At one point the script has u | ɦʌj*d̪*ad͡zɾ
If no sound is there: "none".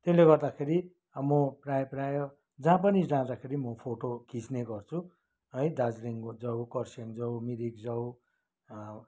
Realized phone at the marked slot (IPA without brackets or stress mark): d̪